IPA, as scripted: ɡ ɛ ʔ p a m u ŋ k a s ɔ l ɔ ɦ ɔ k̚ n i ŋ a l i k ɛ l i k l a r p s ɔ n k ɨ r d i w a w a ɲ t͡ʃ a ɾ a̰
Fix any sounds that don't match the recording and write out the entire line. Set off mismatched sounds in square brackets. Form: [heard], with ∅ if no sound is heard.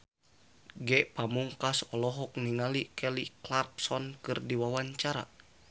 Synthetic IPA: ɡ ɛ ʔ p a m u ŋ k a s ɔ l ɔ ɦ ɔ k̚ n i ŋ a l i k ɛ l i k l a r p s ɔ n k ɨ r d i w a w a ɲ t͡ʃ a ɾ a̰